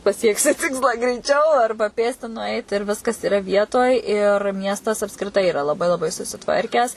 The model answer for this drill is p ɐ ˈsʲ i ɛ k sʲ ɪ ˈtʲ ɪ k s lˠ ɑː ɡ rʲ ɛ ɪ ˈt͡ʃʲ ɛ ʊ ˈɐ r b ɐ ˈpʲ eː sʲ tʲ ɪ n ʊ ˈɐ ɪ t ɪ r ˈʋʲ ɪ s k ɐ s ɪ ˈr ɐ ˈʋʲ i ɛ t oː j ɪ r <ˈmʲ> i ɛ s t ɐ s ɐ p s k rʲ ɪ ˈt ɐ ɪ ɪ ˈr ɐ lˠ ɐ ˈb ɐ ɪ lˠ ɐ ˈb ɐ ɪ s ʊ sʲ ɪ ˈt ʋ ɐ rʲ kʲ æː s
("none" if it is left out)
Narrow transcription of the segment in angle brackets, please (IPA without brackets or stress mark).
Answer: mʲ